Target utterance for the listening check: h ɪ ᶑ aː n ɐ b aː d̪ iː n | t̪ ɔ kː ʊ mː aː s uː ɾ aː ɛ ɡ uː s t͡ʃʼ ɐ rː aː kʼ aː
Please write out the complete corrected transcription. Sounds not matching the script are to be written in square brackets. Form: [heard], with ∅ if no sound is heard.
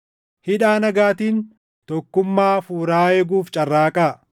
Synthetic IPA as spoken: h ɪ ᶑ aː n ɐ [ɡ] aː [t̪] iː n | t̪ ɔ kː ʊ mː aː [f] uː ɾ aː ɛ ɡ uː [f] t͡ʃʼ ɐ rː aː kʼ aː

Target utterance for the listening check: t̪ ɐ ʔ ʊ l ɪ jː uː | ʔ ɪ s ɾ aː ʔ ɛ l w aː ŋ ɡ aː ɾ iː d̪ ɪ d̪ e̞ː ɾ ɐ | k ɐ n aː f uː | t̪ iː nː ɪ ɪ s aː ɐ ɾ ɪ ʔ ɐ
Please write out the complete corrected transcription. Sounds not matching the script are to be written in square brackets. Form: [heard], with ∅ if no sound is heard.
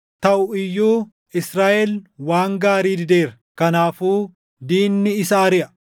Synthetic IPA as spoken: t̪ ɐ ʔ ʊ [∅] ɪ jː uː | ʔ ɪ s ɾ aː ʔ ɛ l w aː ŋ ɡ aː ɾ iː d̪ ɪ d̪ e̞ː ɾ ɐ | k ɐ n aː f uː | [d̪] iː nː ɪ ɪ s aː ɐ ɾ ɪ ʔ ɐ

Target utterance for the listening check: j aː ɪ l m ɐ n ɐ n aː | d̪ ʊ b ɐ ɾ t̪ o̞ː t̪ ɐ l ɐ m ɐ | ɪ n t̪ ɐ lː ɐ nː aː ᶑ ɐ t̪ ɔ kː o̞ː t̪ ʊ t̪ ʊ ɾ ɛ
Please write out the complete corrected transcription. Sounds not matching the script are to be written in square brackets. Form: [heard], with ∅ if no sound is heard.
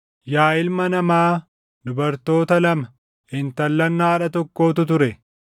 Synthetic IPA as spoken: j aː ɪ l m ɐ n ɐ [m] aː | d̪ ʊ b ɐ ɾ t̪ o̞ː t̪ ɐ l ɐ m ɐ | ɪ n t̪ ɐ lː ɐ nː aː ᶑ ɐ t̪ ɔ kː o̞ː t̪ ʊ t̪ ʊ ɾ ɛ

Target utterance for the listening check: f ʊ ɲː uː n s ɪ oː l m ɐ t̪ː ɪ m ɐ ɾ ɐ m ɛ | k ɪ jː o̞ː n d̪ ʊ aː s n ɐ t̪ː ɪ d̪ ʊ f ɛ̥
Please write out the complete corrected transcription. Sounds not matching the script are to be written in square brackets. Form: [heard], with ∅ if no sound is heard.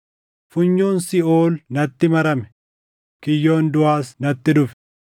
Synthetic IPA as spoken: f ʊ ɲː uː n s ɪ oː l [n] ɐ t̪ː ɪ m ɐ ɾ ɐ m ɛ | k ɪ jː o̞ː n d̪ ʊ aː s n ɐ t̪ː ɪ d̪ ʊ f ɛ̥

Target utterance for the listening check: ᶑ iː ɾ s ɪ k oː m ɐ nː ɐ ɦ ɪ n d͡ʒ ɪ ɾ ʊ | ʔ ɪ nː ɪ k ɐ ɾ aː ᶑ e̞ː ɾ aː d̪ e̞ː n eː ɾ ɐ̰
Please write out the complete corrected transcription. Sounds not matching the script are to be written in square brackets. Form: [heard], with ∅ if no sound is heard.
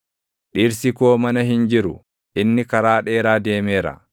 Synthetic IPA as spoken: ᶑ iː ɾ s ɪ k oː m ɐ [n] ɐ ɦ ɪ n d͡ʒ ɪ ɾ ʊ | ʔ ɪ nː ɪ k ɐ ɾ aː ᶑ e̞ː ɾ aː d̪ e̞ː [m] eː ɾ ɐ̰

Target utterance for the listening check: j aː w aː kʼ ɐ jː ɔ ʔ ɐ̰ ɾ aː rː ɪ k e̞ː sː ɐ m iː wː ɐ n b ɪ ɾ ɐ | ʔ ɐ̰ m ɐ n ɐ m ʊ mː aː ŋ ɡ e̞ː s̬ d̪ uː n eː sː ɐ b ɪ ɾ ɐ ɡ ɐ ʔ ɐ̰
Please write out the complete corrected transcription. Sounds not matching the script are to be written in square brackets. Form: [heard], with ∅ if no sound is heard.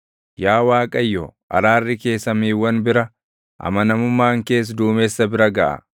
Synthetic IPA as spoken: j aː w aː kʼ ɐ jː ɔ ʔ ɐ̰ ɾ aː rː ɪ k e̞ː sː ɐ m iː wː ɐ n b ɪ ɾ ɐ | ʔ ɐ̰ m ɐ n ɐ m ʊ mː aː ŋ [k] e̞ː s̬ d̪ uː [m] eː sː ɐ b ɪ ɾ ɐ ɡ ɐ ʔ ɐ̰

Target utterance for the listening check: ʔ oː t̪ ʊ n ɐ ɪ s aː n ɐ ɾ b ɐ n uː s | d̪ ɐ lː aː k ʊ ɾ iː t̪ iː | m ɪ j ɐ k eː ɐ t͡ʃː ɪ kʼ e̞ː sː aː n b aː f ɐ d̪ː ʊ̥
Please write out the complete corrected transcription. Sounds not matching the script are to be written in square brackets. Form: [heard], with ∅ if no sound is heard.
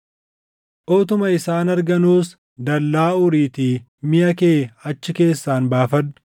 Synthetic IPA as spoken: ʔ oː t̪ ʊ [m] ɐ ɪ s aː n ɐ ɾ [ɡ] ɐ n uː s | d̪ ɐ lː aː [∅] ʊ ɾ iː t̪ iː | m ɪ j ɐ k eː ɐ t͡ʃː ɪ [k] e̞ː sː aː n b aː f ɐ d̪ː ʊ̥

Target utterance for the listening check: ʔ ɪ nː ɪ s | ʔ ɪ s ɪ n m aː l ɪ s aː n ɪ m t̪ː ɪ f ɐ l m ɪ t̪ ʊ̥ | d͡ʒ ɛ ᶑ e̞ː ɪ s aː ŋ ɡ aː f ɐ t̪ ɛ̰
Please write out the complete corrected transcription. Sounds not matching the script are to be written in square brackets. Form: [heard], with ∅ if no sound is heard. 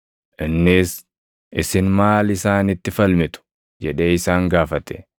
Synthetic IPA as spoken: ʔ ɪ nː ɪ s | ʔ ɪ s ɪ n m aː l ɪ s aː n ɪ [∅] t̪ː ɪ f ɐ l m ɪ t̪ ʊ̥ | d͡ʒ ɛ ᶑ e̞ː ɪ s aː ŋ ɡ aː f ɐ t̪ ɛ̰

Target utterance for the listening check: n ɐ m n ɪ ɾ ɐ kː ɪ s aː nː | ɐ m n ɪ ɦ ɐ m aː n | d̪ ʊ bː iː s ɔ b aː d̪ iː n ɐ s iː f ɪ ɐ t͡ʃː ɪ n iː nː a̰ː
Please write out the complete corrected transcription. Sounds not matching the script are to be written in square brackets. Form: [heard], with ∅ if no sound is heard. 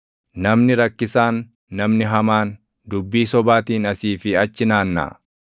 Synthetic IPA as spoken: n ɐ m n ɪ ɾ ɐ kː ɪ s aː nː | ɐ m n ɪ ɦ ɐ m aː n | d̪ ʊ bː iː s ɔ b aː [t̪] iː n ɐ s iː f ɪ ɐ t͡ʃː ɪ n [aː] nː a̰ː

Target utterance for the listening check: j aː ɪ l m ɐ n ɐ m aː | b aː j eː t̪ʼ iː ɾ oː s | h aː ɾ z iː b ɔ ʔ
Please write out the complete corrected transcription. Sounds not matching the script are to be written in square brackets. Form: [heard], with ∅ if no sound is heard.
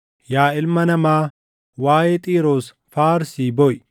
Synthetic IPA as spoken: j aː ɪ l m ɐ n ɐ m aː | [w] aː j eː t̪ʼ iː ɾ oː s | [f] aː ɾ [s] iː b ɔ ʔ

